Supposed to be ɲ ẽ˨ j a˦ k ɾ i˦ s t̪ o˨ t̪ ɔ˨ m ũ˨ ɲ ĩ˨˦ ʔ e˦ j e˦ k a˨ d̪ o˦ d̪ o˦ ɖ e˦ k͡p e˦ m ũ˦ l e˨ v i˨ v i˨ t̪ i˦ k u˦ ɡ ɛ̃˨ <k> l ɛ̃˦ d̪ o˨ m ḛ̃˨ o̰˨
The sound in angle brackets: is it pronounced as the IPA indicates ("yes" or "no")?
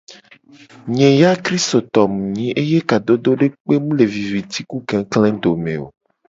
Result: yes